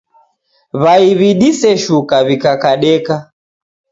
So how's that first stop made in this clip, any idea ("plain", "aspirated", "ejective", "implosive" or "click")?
implosive